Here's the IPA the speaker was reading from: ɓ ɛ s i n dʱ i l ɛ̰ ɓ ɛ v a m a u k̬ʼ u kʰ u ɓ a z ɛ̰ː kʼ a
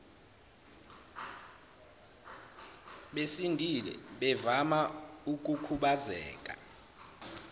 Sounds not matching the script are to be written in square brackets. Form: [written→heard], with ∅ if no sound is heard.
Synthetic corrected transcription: ɓ [ɛ→e] s i n dʱ i l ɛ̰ ɓ ɛ v a m a u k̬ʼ u kʰ u ɓ a z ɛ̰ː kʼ a